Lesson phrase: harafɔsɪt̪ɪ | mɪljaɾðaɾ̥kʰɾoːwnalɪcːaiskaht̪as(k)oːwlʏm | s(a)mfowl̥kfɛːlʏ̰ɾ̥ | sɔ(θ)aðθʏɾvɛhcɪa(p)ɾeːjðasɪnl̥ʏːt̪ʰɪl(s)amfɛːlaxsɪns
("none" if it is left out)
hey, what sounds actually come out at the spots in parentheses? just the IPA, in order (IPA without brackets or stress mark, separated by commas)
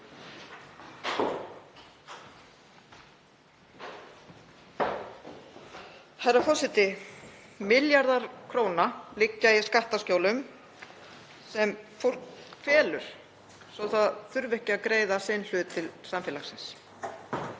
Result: c, ɛ, θ, k, s